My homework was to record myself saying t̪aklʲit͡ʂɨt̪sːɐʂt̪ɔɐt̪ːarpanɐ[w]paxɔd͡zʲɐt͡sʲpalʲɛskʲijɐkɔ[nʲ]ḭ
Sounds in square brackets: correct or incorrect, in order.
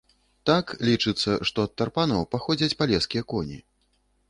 correct, correct

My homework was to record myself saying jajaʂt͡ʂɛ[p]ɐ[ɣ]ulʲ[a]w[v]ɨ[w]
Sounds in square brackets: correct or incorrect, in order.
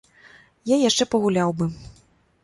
correct, correct, correct, incorrect, incorrect

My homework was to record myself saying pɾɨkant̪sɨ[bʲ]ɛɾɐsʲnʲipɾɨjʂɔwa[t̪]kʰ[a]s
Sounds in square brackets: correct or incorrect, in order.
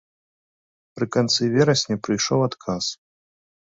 incorrect, correct, correct

